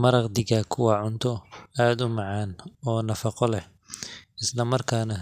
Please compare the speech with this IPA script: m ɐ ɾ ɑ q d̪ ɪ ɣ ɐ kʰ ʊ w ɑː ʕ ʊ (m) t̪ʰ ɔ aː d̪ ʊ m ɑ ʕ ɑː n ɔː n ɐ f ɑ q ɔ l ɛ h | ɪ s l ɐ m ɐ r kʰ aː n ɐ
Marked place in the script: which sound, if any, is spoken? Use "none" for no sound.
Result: n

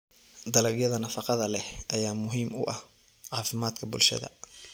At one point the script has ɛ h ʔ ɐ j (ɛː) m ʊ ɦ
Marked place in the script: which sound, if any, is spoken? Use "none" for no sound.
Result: aː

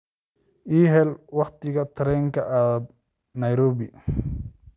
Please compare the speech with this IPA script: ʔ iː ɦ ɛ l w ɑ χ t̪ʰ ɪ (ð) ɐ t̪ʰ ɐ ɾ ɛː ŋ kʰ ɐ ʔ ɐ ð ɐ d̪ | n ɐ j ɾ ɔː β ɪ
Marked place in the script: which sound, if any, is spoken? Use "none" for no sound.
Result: ɣ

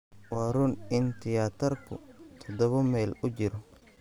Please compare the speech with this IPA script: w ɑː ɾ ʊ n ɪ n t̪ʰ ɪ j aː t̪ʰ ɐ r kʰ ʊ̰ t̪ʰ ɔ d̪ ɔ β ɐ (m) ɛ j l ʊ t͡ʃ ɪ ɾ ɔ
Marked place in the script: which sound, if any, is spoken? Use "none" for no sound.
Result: m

